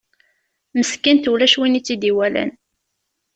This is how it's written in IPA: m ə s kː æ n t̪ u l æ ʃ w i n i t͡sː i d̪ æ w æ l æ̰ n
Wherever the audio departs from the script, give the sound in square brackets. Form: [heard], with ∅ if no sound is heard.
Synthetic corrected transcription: m ə s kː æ n t̪ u l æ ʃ w i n i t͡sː i d̪ [i] w æ l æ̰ n

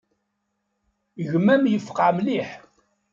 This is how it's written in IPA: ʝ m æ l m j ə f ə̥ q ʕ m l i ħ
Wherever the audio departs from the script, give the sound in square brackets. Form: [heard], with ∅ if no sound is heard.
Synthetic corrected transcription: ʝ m æ [∅] m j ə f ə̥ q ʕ m l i ħ

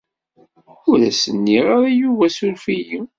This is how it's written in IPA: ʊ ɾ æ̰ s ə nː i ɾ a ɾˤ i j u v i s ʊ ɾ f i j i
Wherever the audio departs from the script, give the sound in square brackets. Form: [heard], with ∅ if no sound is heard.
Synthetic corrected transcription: ʊ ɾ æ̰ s ə nː i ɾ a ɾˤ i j u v [æ] s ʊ ɾ f i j i

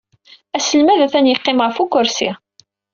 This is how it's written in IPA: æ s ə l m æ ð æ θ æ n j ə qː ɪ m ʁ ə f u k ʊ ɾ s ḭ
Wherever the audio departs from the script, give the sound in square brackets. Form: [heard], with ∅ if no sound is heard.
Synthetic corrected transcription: æ s ə l m æ ð æ θ æ n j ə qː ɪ m ʁ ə f u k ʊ ɾ s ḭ

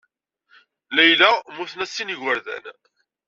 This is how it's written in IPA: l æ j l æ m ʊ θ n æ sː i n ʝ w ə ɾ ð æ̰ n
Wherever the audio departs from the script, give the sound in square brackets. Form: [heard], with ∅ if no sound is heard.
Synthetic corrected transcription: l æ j l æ m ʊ θ n æ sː i n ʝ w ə ɾ ð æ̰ n

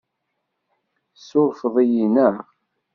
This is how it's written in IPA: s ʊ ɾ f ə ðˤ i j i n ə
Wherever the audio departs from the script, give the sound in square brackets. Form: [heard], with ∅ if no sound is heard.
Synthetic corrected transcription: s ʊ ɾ f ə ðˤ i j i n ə

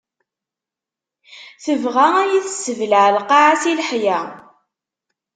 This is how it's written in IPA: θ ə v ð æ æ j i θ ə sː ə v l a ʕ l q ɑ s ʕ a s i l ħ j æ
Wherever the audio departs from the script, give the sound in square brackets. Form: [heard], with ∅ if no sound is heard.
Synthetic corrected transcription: θ ə v [ʁ] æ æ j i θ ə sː ə v l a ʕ l q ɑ [∅] ʕ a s i l ħ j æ

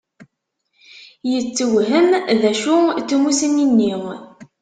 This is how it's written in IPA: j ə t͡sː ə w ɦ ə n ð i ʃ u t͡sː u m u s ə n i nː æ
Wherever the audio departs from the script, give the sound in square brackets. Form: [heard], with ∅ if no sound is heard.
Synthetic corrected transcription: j ə t͡sː ə w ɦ ə [m] ð [æ] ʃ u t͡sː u m u s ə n i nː [i]

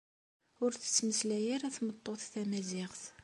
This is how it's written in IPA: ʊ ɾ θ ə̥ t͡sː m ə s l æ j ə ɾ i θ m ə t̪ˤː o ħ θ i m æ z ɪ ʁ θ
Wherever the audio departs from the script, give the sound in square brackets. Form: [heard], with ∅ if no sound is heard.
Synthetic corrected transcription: ʊ ɾ θ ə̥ t͡sː m ə s l æ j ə ɾ [æ] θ m ə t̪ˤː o [θ] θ [æ] m æ z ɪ ʁ θ

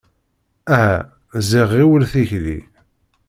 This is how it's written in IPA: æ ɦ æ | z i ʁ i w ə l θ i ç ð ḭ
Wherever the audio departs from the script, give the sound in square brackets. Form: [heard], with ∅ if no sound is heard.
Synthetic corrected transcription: æ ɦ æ | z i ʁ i w ə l θ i ç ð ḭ

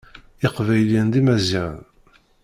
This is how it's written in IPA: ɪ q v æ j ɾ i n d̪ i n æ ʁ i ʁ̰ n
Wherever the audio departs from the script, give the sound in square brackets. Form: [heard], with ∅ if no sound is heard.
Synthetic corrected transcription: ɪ q v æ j [l] i n d̪ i [m] æ [z] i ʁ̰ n

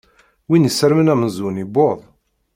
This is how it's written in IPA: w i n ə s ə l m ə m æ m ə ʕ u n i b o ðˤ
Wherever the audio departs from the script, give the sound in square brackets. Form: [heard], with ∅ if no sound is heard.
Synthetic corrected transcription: w i n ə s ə [ɾ] m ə [n] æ m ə [z] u n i b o ðˤ

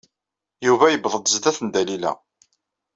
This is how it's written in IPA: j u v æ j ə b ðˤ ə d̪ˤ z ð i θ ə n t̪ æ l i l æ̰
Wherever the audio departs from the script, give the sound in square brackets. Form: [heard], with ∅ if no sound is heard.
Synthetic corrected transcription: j u v æ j ə b ðˤ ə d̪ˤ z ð [æ] θ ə n [d̪] æ l i l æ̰

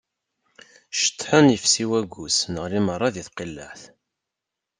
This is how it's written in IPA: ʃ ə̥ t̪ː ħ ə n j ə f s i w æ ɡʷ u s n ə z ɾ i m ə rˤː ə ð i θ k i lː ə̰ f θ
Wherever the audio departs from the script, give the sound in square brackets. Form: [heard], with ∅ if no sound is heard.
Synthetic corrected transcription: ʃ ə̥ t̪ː ħ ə n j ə f s i w æ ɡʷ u s n ə [ʁ] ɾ i m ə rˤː [ɑ] ð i θ [q] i lː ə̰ [ħ] θ

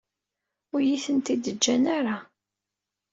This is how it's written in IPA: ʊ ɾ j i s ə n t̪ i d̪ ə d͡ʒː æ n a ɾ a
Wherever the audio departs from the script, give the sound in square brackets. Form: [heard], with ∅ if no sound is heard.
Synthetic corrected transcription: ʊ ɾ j i [θ] ə n t̪ i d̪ ə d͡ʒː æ n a ɾ a

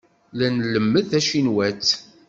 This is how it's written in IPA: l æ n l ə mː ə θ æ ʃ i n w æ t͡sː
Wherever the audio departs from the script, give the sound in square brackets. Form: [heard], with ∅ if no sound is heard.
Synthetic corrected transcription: l æ n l ə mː ə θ æ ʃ i n w æ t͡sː

